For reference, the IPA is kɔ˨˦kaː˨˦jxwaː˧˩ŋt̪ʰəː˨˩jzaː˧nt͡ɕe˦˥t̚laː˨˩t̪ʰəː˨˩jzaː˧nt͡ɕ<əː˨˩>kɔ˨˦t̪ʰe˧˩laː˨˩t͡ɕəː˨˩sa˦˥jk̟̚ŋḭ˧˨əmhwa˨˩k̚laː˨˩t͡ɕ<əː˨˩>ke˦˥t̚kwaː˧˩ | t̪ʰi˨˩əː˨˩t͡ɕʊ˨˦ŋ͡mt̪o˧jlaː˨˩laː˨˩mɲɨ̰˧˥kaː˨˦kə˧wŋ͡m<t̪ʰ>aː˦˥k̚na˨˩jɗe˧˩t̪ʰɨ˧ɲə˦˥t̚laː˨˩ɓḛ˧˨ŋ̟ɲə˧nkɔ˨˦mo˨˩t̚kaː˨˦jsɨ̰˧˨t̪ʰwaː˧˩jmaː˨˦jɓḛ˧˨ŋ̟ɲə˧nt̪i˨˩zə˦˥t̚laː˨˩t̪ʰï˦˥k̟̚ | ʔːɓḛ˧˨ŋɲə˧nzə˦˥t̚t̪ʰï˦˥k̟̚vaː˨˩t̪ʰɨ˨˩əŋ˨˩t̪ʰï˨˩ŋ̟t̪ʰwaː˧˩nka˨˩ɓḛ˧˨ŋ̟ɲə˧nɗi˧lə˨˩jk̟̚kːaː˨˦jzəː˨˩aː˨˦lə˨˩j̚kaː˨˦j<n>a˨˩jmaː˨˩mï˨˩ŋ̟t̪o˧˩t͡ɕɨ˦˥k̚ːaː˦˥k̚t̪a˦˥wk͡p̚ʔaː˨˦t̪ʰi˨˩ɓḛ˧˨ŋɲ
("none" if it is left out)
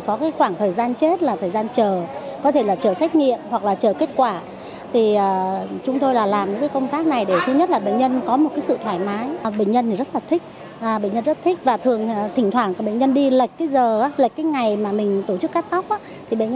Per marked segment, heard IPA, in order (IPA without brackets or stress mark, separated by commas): əː˨˩, əː˨˩, t̪, ŋ